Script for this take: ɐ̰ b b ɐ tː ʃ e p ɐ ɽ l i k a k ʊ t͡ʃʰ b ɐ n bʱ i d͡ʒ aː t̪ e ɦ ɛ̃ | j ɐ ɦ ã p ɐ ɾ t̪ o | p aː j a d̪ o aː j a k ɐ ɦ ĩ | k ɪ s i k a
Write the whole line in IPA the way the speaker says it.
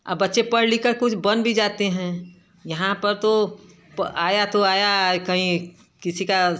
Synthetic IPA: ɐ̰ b b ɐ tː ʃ e p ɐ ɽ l i k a k ʊ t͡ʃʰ b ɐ n bʱ i d͡ʒ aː t̪ e ɦ ɛ̃ | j ɐ ɦ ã p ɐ ɾ t̪ o | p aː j a t̪ o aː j a k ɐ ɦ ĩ | k ɪ s i k a